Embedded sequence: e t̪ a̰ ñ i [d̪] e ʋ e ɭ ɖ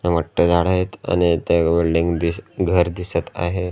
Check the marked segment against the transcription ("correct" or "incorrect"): incorrect